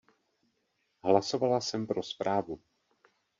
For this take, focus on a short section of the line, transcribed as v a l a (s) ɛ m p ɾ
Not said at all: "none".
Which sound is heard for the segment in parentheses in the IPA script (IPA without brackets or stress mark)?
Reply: s